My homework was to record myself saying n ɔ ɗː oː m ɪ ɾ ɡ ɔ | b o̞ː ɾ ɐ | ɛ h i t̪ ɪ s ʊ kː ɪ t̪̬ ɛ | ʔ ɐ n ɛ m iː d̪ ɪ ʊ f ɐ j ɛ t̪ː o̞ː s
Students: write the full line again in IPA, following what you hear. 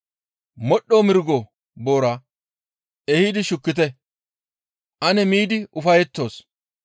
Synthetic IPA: m ɔ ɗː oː m ɪ ɾ ɡ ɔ | b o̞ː ɾ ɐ | ɛ h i d̪ ɪ ʃ ʊ kː ɪ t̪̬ ɛ | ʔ ɐ n ɛ m iː d̪ ɪ ʊ f ɐ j ɛ t̪ː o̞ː s

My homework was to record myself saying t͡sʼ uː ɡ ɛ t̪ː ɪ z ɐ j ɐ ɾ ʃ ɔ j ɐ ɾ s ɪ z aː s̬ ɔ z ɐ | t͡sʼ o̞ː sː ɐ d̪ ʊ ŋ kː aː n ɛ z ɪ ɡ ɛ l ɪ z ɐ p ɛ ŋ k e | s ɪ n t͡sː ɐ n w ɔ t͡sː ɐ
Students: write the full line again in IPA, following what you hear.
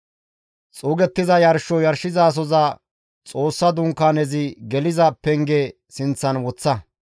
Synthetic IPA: t͡sʼ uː ɡ ɛ t̪ː ɪ z ɐ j ɐ ɾ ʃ ɔ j ɐ ɾ ʃ ɪ z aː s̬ ɔ z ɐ | t͡sʼ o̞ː sː ɐ d̪ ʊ ŋ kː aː n ɛ z ɪ ɡ ɛ l ɪ z ɐ p ɛ ŋ ɡ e | s ɪ n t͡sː ɐ n w ɔ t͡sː ɐ

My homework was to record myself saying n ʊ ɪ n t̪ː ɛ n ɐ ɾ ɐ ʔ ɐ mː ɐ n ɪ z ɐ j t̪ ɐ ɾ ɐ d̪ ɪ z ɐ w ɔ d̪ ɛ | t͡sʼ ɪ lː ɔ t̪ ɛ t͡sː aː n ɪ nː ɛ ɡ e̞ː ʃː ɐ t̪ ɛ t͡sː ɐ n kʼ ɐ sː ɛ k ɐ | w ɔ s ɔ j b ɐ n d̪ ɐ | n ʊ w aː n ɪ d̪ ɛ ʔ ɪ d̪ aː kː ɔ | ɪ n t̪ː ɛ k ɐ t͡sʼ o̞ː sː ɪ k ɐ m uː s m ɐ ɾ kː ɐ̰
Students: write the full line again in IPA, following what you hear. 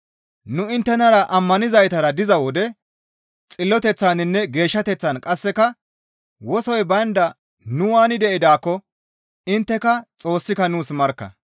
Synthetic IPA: n ʊ ɪ n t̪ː ɛ n ɐ ɾ ɐ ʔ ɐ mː ɐ n ɪ z ɐ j t̪ ɐ ɾ ɐ d̪ ɪ z ɐ w ɔ d̪ ɛ | t͡sʼ ɪ lː ɔ t̪ ɛ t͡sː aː n ɪ nː ɛ ɡ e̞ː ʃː ɐ t̪ ɛ t͡sː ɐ n kʼ ɐ sː ɛ k ɐ | w ɔ s ɔ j b ɐ n d̪ ɐ | n ʊ w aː n ɪ d̪ ɛ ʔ ɪ d̪ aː kː ɔ | ɪ n t̪ː ɛ k ɐ t͡sʼ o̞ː sː ɪ k ɐ n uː s m ɐ ɾ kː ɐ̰

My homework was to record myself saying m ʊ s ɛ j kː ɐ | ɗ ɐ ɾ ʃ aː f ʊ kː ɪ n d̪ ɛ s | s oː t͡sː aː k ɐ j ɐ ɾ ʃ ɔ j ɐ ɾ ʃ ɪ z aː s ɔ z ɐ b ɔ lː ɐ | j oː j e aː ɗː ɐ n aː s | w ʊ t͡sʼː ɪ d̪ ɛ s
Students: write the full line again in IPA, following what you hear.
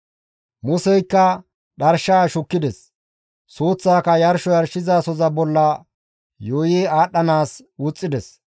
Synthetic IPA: m ʊ s ɛ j kː ɐ | ɗ ɐ ɾ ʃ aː ʃ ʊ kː ɪ d̪ ɛ s | s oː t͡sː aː k ɐ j ɐ ɾ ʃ ɔ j ɐ ɾ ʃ ɪ z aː s ɔ z ɐ b ɔ lː ɐ | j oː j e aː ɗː ɐ n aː s | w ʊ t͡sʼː ɪ d̪ ɛ s

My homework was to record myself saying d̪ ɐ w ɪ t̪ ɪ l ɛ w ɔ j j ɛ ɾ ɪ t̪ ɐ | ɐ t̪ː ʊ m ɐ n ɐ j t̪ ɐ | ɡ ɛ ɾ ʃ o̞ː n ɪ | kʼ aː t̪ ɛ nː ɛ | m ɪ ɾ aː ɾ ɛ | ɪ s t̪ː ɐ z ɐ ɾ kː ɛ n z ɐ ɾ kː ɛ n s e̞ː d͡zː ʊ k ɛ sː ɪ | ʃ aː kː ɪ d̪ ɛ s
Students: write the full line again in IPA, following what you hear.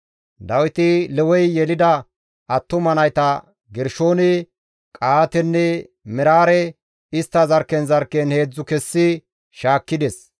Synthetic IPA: d̪ ɐ w ɪ t̪ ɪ l ɛ w ɔ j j ɛ l ɪ d̪ ɐ | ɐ t̪ː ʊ m ɐ n ɐ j t̪ ɐ | ɡ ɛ ɾ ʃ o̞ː n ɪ | kʼ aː t̪ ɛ nː ɛ | m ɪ ɾ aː ɾ ɛ | ɪ s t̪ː ɐ z ɐ ɾ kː ɛ n z ɐ ɾ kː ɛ n h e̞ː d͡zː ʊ k ɛ sː ɪ | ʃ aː kː ɪ d̪ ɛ s

